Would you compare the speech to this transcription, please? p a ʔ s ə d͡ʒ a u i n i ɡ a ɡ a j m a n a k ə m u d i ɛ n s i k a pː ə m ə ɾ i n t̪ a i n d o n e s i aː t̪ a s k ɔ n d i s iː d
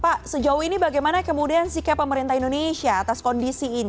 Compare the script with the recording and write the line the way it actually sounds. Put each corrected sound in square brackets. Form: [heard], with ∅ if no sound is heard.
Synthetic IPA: p a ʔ s ə d͡ʒ a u i n i [b] a ɡ a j m a n a k ə m u d i [a] n s i k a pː ə m ə ɾ i n t̪ a i n d o n e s i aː t̪ a s k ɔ n d i s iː [n]